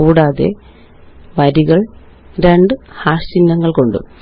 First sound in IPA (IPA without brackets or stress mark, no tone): uː